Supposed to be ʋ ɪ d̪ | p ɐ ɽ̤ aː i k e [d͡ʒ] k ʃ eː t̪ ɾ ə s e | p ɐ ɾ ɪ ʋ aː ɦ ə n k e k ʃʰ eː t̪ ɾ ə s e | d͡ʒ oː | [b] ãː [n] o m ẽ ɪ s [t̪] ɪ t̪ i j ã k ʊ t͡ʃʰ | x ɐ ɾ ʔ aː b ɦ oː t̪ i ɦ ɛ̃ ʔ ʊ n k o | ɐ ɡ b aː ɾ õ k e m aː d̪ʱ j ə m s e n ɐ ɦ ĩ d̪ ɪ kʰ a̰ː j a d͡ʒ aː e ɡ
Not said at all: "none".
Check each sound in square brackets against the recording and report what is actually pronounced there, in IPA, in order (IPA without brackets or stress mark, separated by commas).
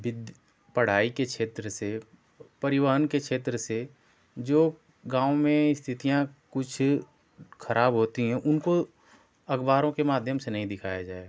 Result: none, ɡ, none, t̪ʰ